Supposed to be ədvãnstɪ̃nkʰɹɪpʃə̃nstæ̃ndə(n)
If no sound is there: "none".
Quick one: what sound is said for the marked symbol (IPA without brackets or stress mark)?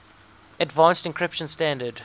d